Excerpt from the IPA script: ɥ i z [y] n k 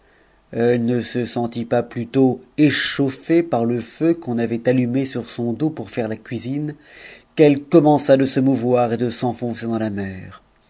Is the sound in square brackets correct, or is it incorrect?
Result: incorrect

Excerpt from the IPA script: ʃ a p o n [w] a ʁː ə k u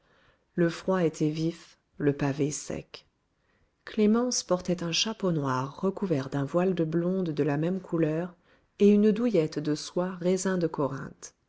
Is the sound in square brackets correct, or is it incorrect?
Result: correct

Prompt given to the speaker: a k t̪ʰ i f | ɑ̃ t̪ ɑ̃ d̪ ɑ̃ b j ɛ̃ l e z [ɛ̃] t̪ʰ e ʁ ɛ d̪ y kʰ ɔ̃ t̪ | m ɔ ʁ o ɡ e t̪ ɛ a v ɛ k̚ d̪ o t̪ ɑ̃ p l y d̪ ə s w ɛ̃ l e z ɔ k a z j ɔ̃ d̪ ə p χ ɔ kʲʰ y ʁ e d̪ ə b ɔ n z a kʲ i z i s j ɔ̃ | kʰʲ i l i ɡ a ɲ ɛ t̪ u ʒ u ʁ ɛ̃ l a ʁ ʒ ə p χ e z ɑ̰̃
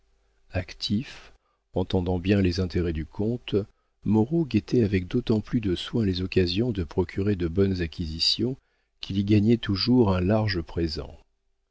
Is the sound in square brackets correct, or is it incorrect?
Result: correct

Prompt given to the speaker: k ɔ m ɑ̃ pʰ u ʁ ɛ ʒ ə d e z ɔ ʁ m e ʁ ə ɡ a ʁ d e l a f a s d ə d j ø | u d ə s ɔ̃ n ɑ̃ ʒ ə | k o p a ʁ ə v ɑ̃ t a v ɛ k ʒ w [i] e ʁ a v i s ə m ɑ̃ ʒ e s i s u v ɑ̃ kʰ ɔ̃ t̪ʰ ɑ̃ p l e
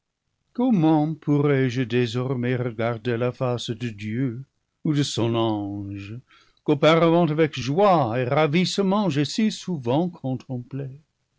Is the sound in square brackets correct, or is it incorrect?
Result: incorrect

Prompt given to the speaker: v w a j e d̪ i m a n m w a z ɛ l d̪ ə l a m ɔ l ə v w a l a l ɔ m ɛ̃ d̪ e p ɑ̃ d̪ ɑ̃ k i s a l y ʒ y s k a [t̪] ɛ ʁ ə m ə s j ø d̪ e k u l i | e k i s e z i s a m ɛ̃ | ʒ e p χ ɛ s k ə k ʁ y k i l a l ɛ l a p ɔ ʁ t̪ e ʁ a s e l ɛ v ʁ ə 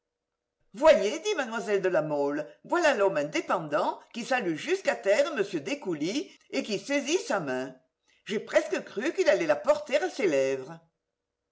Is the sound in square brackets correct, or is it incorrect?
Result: correct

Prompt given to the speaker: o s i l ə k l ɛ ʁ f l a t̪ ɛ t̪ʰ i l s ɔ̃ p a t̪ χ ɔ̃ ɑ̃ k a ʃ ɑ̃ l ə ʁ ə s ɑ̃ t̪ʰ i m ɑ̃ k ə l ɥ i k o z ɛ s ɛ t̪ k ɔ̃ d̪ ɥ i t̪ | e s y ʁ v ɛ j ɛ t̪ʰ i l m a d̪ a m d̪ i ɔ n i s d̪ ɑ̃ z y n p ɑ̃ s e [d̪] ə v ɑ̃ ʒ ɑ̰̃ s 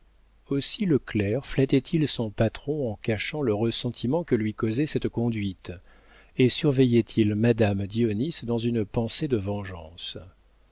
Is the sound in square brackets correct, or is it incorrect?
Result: correct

